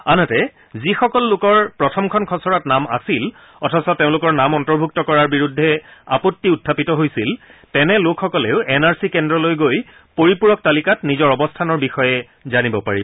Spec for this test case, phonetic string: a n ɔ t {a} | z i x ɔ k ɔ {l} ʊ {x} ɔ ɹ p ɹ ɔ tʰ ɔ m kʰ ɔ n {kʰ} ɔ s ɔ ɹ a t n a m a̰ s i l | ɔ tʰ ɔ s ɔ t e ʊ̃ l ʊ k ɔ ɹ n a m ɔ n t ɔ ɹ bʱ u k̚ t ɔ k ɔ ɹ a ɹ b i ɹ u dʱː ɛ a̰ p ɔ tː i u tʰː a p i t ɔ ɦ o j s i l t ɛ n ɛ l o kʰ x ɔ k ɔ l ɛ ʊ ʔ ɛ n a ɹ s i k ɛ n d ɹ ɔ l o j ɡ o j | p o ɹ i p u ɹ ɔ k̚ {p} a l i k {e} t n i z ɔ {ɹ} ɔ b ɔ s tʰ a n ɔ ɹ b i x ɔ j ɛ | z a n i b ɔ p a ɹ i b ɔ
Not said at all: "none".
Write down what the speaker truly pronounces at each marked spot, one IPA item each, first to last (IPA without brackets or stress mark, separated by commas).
ɛ, lː, k, kʰ, t, a, ɹ